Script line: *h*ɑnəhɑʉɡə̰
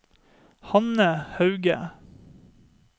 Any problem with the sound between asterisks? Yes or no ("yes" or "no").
no